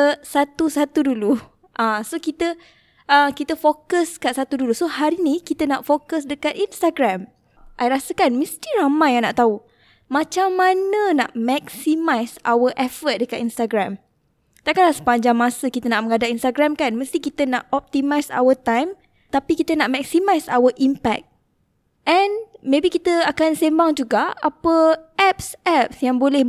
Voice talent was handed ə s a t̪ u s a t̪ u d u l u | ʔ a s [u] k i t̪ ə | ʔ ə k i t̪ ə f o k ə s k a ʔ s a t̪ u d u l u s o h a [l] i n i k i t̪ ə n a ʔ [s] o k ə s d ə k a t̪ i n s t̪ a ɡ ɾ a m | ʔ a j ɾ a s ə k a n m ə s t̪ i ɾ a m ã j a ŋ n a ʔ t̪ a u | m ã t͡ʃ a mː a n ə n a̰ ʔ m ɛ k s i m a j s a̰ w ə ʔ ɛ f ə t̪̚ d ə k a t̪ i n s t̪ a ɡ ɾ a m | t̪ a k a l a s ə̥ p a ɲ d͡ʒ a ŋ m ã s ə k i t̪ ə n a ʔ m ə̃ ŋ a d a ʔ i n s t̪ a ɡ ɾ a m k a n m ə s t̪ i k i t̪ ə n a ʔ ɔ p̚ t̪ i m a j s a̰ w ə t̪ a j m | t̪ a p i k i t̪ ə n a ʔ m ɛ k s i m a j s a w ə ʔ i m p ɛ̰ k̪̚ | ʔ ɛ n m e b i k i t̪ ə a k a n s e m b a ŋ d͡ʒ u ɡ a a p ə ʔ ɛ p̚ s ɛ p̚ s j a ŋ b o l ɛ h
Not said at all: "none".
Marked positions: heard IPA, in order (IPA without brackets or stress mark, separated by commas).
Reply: o, ɾ, f